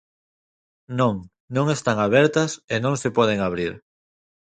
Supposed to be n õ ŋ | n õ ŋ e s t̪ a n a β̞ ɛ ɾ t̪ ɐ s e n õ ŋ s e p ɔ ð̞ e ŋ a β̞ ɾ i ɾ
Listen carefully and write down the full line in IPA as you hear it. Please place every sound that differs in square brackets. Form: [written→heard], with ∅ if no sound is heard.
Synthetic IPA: n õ ŋ | n õ ŋ e s t̪ a [n→ŋ] a β̞ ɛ ɾ t̪ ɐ s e n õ ŋ s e p ɔ ð̞ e ŋ a β̞ ɾ i ɾ